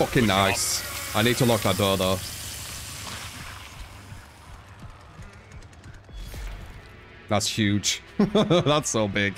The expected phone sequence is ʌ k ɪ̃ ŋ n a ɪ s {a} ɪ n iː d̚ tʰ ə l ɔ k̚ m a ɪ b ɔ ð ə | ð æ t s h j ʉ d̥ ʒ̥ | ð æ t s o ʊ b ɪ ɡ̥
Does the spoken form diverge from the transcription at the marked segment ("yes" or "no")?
no